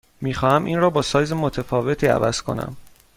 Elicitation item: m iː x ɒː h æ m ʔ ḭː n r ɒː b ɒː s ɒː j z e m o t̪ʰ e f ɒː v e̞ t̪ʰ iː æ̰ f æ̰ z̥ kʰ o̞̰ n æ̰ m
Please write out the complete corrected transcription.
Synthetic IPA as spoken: m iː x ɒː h æ m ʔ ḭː n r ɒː b ɒː s ɒː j z e m o t̪ʰ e f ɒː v e̞ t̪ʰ iː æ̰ v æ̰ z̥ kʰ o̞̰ n æ̰ m